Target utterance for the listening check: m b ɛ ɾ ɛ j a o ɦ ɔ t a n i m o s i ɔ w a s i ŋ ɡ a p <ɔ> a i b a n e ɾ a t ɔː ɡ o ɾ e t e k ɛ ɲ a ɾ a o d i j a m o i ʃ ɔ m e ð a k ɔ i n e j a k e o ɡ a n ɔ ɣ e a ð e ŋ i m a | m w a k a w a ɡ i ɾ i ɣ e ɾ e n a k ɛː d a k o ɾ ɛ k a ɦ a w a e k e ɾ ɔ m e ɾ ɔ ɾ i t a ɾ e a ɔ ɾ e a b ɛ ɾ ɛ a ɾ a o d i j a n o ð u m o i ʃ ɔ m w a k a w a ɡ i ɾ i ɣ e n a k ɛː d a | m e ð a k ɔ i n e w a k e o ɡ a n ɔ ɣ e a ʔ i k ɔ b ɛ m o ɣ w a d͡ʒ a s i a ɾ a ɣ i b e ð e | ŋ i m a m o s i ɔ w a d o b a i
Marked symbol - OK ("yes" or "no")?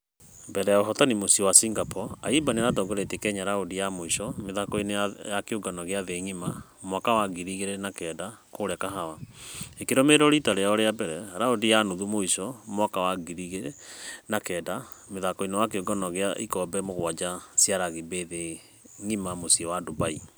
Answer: yes